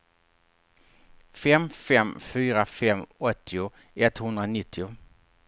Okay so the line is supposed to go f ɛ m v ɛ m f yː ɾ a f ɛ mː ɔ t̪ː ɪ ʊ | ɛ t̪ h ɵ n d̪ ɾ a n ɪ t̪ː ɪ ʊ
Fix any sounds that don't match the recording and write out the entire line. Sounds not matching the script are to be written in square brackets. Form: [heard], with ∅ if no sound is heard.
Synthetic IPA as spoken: f ɛ m [f] ɛ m f yː ɾ a f ɛ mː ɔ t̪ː ɪ ʊ | ɛ t̪ h ɵ n d̪ ɾ a n ɪ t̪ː ɪ ʊ